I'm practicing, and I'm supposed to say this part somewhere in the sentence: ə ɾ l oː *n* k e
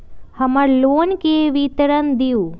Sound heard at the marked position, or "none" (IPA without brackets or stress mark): n